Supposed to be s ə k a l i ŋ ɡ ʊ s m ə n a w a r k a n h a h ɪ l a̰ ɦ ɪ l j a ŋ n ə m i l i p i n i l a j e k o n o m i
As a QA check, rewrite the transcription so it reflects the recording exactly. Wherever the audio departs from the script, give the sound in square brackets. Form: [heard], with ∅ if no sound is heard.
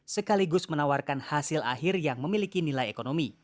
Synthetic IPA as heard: s ə k a l i [∅] ɡ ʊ s m ə n a w a r k a n h a [s] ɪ l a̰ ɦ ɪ [r] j a ŋ [m] ə m i l i [k] i n i l a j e k o n o m i